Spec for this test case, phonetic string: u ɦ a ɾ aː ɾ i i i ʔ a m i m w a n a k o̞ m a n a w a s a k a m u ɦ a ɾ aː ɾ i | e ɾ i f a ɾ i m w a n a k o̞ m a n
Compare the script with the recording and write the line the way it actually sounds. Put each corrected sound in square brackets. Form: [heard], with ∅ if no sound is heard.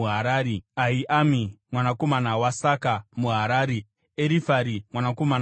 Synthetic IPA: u ɦ a ɾ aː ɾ i [a] i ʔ a m i m w a n a k o̞ m a n a w a s a k a m u ɦ a ɾ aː ɾ i | e ɾ i f a ɾ i m w a n a k o̞ m a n